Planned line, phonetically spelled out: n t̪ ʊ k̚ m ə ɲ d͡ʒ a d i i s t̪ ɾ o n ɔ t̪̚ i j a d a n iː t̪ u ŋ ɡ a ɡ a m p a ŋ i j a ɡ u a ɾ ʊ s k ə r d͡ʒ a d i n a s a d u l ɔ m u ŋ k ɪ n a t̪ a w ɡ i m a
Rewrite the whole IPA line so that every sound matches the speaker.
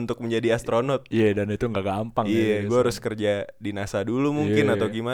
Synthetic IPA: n t̪ ʊ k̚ m ə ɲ d͡ʒ a d i a s t̪ ɾ o n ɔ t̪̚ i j a d a n i t̪ u ŋ ɡ a ɡ a m p a ŋ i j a ɡ u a ɾ ʊ s k ə r d͡ʒ a d i n a s a d u l u m u ŋ k ɪ n a t̪ a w ɡ i m a